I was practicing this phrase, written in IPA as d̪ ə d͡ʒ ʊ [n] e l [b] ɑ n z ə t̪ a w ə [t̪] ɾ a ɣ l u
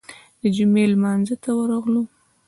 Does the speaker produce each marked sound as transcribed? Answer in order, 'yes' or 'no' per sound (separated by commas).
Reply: no, no, no